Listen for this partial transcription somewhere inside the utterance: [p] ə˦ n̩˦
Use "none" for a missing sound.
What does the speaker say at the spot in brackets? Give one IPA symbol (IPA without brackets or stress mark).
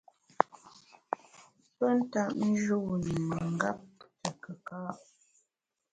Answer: p